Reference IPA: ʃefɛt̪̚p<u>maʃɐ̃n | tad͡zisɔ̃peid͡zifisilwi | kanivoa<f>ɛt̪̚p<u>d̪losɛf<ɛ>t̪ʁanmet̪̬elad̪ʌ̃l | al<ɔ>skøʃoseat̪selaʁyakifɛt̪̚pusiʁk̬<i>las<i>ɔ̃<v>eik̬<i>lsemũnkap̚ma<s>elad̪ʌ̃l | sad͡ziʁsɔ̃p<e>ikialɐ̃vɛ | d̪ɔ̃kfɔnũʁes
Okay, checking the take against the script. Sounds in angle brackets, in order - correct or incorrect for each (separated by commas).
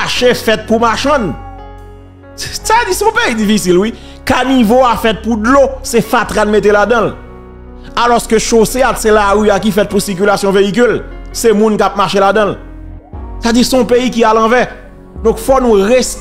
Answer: correct, correct, correct, incorrect, correct, incorrect, incorrect, correct, incorrect, incorrect, correct